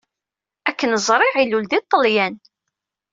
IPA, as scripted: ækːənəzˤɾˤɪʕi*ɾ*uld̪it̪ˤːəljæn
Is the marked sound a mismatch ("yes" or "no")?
yes